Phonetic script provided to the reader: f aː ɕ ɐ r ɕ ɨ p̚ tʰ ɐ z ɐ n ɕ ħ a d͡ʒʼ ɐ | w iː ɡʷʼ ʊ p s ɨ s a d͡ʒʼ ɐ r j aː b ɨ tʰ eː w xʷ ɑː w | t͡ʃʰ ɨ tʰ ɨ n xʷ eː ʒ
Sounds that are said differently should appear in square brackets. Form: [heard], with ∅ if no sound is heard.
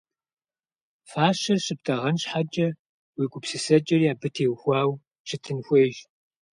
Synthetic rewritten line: f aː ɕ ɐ r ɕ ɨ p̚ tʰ ɐ [ʁ] ɐ n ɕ ħ a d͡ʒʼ ɐ | w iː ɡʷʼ ʊ p s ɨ s [ɐ] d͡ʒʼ ɐ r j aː b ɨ tʰ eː w xʷ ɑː w | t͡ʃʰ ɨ tʰ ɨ n xʷ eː ʒ